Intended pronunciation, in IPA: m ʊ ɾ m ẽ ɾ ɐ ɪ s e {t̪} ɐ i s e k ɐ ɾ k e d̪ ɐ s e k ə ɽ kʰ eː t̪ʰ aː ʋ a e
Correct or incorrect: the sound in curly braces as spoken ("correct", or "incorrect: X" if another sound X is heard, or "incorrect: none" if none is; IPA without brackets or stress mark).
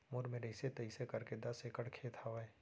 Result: correct